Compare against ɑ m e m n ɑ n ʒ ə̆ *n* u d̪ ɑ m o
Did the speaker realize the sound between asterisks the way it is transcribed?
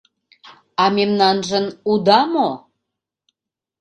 yes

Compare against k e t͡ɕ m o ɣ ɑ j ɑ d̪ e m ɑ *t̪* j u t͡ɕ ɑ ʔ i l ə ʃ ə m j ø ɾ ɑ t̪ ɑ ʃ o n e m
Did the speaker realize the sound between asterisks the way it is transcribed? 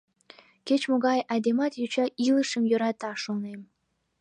yes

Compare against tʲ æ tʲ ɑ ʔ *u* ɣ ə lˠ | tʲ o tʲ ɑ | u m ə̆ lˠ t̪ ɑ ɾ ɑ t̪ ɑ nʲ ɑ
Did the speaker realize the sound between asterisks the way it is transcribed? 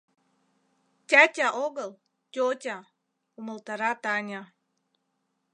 no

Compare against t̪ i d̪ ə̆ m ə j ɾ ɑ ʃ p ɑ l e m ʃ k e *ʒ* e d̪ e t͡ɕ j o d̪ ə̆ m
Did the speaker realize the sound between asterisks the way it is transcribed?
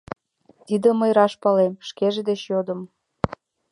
yes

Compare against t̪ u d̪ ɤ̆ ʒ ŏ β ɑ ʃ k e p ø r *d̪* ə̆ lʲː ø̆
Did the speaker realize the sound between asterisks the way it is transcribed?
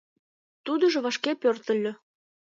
no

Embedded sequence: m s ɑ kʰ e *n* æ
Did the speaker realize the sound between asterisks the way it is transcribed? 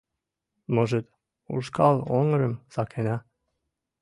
yes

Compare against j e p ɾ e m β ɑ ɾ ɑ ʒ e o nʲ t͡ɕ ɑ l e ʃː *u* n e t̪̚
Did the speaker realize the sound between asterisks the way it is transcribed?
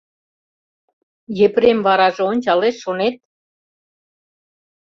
no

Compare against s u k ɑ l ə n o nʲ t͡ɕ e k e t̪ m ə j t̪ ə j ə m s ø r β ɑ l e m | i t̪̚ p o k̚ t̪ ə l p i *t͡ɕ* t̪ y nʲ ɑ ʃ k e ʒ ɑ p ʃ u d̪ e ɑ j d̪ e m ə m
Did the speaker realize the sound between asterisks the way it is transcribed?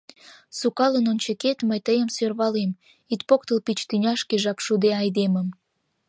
yes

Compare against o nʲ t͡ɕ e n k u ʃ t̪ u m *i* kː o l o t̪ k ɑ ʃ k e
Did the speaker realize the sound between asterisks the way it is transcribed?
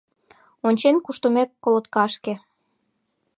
no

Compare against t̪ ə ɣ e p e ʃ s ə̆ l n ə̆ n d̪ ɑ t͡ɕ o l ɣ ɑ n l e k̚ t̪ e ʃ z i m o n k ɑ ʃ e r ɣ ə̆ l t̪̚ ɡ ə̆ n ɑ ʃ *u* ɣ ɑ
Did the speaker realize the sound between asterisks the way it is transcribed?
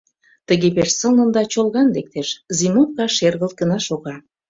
no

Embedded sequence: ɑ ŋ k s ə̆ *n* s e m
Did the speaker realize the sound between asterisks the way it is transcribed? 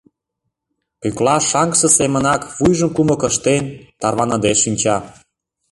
no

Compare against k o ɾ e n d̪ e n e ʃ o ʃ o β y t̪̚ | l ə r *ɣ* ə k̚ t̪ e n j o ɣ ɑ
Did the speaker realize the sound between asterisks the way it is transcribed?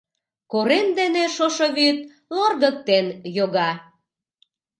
yes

